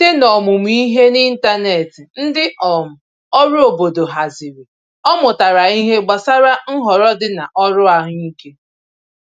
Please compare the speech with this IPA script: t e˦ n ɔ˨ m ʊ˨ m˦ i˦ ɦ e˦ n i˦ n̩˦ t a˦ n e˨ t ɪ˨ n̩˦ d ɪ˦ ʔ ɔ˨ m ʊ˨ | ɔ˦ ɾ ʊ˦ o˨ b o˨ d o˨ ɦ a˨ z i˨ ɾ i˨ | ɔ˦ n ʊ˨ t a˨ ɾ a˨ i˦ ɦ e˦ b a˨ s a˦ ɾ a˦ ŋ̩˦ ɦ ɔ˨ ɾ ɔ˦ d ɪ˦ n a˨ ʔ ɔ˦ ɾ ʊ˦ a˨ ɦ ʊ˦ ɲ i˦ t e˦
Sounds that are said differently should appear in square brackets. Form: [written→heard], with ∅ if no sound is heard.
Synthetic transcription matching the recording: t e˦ n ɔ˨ m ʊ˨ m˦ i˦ ɦ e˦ n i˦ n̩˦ t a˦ n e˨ t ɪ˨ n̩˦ d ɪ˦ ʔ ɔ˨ m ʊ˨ | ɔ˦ ɾ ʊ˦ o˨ b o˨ d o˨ ɦ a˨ z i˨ ɾ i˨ | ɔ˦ [n→m] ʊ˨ t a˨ ɾ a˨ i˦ ɦ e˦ [b→ɡ͡b] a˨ s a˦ ɾ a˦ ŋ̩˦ ɦ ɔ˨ ɾ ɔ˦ d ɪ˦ n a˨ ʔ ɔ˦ ɾ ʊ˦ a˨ ɦ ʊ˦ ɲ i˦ [t→k] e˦